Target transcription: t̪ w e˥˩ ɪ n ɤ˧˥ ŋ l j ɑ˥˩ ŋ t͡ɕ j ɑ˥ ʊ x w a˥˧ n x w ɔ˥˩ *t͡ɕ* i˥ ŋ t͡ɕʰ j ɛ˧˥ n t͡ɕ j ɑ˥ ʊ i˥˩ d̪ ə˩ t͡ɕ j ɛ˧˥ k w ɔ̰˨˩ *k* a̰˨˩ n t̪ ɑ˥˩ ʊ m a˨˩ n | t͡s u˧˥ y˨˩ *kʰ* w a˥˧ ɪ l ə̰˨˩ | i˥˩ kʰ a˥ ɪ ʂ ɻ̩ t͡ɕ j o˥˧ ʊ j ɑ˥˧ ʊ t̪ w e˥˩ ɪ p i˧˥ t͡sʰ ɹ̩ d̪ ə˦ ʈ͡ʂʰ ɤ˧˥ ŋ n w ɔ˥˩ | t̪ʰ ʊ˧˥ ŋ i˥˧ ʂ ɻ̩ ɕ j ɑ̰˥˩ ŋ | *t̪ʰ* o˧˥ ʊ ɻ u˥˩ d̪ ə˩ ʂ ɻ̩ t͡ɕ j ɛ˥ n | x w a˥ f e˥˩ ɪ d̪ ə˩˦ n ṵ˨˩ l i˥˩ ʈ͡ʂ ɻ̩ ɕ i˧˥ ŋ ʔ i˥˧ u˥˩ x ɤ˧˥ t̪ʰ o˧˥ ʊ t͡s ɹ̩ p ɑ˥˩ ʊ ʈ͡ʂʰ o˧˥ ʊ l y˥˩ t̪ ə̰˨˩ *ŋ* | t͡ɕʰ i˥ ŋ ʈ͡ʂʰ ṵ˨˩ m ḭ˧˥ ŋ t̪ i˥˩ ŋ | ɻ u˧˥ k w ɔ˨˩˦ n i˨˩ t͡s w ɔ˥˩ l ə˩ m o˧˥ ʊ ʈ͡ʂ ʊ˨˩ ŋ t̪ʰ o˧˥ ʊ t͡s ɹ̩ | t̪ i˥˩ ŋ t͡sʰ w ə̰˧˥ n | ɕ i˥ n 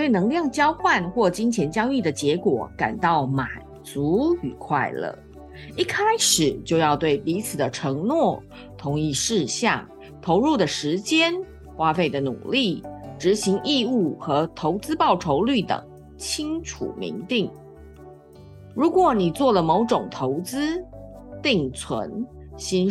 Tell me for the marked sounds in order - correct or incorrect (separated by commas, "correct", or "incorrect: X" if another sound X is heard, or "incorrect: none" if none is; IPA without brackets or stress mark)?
correct, correct, correct, correct, correct